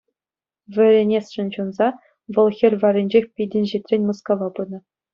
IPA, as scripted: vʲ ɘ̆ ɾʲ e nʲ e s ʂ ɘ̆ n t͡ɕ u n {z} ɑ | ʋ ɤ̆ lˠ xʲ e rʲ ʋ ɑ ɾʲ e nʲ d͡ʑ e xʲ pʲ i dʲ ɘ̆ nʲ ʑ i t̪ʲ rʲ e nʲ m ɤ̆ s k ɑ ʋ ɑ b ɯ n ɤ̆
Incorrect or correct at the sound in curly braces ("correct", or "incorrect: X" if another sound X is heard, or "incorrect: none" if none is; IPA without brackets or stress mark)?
correct